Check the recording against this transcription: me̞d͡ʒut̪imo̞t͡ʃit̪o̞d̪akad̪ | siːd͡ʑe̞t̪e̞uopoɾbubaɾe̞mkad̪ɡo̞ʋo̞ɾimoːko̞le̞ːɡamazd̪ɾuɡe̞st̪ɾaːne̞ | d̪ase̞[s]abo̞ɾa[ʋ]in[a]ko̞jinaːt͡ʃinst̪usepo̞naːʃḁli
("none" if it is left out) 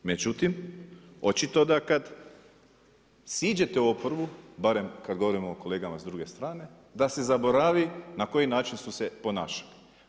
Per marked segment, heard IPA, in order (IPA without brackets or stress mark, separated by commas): z, ʋ, a